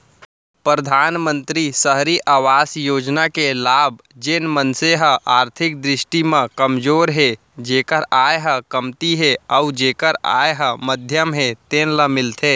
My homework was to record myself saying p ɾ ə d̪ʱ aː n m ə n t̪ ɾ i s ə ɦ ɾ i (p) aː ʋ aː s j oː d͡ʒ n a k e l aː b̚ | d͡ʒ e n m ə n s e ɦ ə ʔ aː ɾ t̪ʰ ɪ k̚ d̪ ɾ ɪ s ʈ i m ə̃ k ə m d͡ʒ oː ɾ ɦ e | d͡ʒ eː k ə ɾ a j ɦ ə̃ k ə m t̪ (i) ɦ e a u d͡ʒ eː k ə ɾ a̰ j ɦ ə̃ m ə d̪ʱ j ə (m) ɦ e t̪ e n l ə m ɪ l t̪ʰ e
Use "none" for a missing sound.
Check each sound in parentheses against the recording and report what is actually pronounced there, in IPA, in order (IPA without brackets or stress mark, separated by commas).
ʔ, i, m